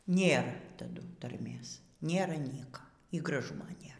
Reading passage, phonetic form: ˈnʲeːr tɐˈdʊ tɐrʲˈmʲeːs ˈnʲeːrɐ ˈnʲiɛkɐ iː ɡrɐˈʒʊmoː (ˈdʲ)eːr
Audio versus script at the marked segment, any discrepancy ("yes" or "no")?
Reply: yes